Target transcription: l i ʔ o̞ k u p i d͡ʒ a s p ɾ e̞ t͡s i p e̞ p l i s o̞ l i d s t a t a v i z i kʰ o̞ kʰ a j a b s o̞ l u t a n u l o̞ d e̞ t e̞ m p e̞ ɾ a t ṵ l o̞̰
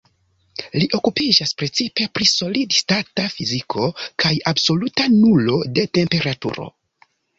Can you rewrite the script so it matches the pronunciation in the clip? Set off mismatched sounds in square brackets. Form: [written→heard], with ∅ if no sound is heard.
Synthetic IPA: l i ʔ o̞ k u p i d͡ʒ a s p ɾ e̞ t͡s i p e̞ p [l→ɾ] i s o̞ l i d s t a t a [v→f] i z i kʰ o̞ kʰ a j a b s o̞ l u t a n u l o̞ d e̞ t e̞ m p e̞ ɾ a t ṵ [l→ɾ] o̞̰